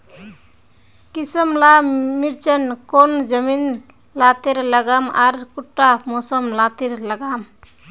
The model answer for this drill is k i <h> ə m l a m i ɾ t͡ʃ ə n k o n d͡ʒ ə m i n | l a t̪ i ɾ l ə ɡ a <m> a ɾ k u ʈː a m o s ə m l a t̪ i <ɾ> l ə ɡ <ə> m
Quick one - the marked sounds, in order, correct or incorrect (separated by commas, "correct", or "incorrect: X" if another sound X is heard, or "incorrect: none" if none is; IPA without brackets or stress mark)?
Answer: incorrect: s, correct, correct, incorrect: a